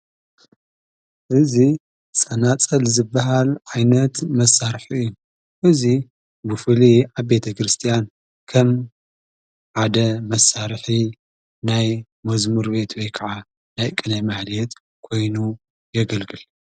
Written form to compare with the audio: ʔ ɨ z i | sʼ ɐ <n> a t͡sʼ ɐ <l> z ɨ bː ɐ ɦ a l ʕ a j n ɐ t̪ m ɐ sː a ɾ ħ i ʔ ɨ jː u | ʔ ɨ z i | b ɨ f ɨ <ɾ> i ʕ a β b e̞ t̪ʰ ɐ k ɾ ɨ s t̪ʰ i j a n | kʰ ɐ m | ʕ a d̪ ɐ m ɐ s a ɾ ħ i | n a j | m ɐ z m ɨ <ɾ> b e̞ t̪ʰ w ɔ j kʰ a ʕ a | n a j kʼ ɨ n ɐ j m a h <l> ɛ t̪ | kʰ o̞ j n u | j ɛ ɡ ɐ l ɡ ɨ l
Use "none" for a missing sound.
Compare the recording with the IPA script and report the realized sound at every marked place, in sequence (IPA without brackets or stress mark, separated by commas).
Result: n, l, l, ɾ, l